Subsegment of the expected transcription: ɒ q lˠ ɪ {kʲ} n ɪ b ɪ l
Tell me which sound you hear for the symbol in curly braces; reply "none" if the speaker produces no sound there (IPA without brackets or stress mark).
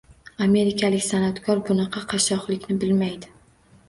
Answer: kʲ